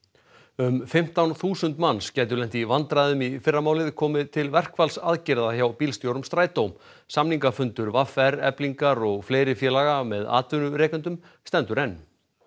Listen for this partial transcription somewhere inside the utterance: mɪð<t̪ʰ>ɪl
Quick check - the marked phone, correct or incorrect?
correct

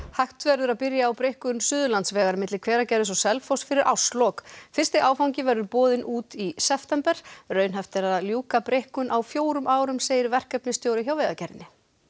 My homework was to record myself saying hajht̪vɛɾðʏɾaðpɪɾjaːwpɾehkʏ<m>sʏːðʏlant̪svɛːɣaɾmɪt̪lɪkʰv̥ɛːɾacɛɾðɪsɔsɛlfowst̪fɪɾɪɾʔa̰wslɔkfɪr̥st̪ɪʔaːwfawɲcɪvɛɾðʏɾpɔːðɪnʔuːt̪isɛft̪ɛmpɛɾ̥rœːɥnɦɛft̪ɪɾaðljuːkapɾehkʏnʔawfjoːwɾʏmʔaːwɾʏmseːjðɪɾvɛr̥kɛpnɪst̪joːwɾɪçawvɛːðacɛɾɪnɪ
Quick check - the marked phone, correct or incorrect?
incorrect: n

